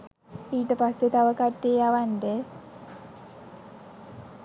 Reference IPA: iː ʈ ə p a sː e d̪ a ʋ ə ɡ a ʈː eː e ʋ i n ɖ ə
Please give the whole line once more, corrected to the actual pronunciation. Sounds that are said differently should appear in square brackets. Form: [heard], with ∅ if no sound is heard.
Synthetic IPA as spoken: iː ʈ ə p a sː e [t̪] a ʋ ə [k] a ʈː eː [a] ʋ [a] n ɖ ə